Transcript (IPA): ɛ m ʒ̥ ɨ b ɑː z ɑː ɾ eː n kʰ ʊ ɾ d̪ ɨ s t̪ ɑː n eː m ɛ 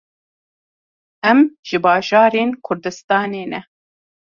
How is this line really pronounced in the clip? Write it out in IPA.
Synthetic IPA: ɛ m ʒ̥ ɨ b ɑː ʒ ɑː ɾ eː n kʰ ʊ ɾ d̪ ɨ s t̪ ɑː n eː n ɛ